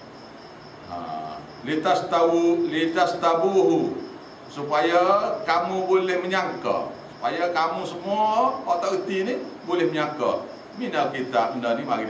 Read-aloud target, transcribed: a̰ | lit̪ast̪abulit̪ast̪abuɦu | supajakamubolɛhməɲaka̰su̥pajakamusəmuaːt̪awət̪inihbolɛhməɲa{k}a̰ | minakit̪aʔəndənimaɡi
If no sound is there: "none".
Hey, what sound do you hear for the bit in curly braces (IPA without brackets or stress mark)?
k